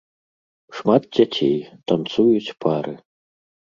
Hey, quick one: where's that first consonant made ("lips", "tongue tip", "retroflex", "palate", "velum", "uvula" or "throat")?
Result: retroflex